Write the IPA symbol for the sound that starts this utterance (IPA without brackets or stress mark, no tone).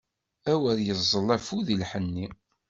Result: æ